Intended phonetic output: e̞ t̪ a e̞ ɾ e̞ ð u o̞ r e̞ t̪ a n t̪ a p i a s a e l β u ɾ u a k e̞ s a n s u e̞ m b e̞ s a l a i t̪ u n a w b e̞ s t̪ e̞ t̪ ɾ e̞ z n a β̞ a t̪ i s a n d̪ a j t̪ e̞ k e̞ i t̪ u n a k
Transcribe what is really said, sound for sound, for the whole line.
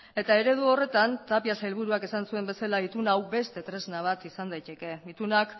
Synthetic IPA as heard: e̞ t̪ a e̞ ɾ e̞ ð u o̞ r e̞ t̪ a n t̪ a p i a s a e l β u ɾ u a k e̞ s a n s u e̞ m b e̞ s a l a i t̪ u n a w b e̞ s t̪ e̞ t̪ ɾ e̞ z n a β̞ a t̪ i s a n d̪ a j t̪ e̞ k e̞ i t̪ u n a k